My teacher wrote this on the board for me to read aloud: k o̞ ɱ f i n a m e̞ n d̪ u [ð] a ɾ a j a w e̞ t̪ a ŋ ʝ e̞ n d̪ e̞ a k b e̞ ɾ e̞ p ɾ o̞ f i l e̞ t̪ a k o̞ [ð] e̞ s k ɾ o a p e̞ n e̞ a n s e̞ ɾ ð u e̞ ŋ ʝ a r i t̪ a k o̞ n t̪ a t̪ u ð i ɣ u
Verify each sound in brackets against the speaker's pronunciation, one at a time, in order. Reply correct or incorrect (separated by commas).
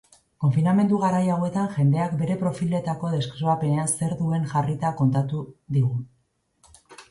incorrect, correct